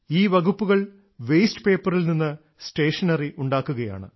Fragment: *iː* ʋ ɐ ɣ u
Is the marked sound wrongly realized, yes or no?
no